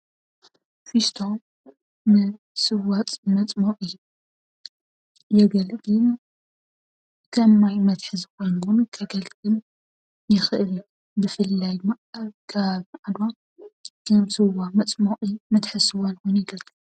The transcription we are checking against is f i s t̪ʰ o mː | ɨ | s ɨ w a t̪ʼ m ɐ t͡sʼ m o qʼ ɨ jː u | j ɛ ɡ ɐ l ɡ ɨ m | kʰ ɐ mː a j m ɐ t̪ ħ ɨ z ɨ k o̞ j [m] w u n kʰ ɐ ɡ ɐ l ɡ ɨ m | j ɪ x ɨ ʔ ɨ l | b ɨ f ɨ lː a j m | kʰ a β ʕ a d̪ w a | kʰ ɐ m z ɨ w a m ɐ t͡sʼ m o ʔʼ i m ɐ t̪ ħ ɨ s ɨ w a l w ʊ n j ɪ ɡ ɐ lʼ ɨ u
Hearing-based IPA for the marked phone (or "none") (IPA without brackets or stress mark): n